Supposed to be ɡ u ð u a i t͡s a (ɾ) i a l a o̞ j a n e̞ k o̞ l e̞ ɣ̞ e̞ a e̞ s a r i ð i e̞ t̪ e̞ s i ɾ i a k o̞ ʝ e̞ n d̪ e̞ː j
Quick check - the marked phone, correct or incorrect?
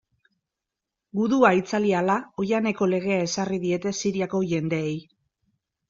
incorrect